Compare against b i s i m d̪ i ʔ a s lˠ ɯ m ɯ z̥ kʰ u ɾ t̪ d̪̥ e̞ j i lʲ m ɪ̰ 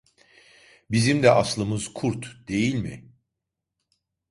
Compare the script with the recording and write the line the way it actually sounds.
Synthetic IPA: b i z i m d̪ ɛ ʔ a s lˠ ɯ m ɯ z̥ kʰ u ɾ t̪ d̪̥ e̞ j i lʲ m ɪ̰